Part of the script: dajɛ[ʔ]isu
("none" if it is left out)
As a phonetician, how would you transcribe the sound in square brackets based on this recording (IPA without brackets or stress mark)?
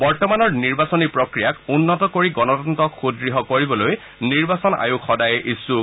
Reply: ʔ